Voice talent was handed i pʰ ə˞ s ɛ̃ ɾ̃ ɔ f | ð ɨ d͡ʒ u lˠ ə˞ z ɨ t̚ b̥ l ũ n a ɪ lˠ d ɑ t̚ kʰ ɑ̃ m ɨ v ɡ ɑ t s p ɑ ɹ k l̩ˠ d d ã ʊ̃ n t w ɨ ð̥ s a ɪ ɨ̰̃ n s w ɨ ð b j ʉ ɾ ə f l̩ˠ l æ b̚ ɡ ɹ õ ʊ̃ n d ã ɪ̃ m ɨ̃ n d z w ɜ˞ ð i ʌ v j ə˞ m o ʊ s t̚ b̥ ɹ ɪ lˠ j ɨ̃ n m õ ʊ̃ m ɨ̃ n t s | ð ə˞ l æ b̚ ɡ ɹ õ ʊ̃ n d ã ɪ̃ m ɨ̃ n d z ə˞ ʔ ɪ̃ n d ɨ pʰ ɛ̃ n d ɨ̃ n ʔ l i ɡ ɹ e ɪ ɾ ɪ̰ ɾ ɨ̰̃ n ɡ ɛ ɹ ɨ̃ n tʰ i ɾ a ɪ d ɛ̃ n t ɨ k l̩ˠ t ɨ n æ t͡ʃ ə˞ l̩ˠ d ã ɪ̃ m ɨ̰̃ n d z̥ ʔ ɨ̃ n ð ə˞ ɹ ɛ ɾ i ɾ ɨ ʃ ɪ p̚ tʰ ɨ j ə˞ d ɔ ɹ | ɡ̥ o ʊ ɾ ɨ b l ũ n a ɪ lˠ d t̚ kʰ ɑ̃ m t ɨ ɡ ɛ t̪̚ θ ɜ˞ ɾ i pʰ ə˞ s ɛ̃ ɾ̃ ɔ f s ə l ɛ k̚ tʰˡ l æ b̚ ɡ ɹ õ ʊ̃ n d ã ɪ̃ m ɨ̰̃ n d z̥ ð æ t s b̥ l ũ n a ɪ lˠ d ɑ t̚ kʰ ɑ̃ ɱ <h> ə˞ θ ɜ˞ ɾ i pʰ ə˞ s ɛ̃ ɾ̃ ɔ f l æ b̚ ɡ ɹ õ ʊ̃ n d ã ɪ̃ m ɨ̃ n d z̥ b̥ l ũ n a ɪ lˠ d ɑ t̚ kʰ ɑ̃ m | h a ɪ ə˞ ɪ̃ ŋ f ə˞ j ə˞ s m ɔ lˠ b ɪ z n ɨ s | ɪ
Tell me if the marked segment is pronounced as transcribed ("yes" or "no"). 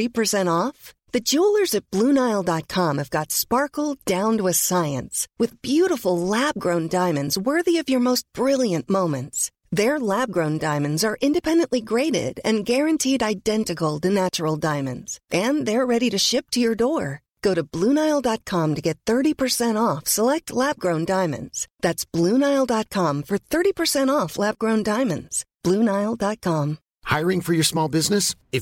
no